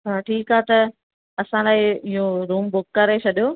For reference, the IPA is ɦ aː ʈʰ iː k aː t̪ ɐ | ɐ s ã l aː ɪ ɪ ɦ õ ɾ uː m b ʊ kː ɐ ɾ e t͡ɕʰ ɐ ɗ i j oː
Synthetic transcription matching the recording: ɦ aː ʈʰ iː k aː t̪ ɐ | ɐ s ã l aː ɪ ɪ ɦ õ ɾ uː m b ʊ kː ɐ ɾ e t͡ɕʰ ɐ ɗ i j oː